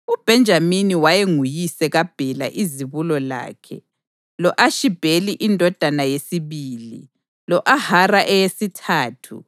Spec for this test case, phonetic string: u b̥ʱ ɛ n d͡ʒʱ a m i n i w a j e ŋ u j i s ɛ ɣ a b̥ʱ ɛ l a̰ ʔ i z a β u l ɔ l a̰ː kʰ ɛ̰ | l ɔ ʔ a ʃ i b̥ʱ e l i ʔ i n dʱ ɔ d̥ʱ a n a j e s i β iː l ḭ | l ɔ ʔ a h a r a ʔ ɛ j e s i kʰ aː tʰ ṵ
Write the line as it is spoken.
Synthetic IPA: u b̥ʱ ɛ n d͡ʒʱ a m i n i w a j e ŋ u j i s ɛ ɣ a b̥ʱ ɛ l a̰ ʔ i z i β u l ɔ l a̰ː kʰ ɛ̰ | l ɔ ʔ a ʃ i b̥ʱ e l i ʔ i n dʱ ɔ d̥ʱ a n a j e s i β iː l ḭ | l ɔ ʔ a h a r a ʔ ɛ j e s i tʰ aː tʰ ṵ